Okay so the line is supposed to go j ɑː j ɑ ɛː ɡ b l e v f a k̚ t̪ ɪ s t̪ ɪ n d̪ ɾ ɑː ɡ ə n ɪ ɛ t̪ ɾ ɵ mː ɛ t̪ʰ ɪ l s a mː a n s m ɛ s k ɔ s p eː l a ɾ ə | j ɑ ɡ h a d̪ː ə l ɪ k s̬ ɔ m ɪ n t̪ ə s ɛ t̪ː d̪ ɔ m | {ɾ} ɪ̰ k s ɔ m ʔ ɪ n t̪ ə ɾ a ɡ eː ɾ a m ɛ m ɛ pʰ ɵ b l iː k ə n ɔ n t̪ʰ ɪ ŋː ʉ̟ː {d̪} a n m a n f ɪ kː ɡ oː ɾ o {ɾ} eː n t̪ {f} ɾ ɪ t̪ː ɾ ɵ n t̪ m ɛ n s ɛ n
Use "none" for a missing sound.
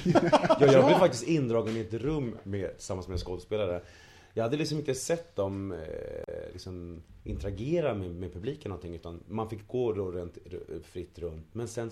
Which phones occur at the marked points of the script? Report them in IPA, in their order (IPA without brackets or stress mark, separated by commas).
l, t̪, ɾ, f